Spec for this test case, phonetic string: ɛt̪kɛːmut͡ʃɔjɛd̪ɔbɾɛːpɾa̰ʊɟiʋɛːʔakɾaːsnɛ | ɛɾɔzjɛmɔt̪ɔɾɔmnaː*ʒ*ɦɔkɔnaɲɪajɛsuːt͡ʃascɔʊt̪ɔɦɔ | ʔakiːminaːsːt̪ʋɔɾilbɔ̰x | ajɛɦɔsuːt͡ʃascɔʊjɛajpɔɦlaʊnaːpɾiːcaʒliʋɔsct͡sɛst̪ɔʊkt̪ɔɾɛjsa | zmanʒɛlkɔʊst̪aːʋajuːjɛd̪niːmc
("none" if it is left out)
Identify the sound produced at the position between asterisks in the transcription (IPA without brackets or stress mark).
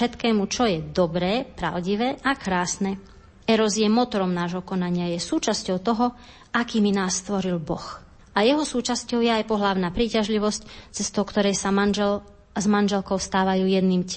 ʒ